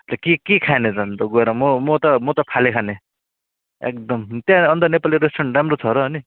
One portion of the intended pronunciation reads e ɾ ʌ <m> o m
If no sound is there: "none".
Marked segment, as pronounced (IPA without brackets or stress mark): m